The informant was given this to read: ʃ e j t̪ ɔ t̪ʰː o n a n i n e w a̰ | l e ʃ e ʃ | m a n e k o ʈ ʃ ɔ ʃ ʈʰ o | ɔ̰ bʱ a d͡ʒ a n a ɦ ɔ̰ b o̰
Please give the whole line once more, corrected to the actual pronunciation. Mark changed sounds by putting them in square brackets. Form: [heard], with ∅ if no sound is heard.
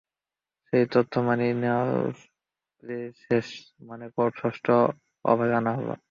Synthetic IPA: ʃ e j t̪ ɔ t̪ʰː o [m] a n i n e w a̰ | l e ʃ e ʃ | m a n e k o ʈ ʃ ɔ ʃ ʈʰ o | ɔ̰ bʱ a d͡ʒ a n a ɦ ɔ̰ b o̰